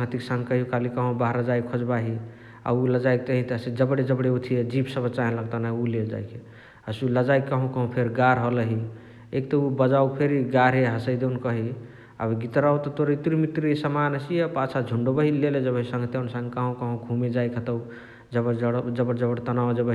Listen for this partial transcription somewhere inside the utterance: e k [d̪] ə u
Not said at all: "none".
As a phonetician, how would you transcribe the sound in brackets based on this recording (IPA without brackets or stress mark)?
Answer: t̪